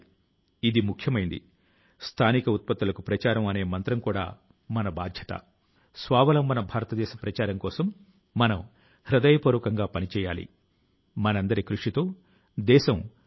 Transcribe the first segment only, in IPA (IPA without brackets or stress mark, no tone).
i